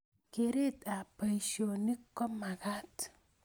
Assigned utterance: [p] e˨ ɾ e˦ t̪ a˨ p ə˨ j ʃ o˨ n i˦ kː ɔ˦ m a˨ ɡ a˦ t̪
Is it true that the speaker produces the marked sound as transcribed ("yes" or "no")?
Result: no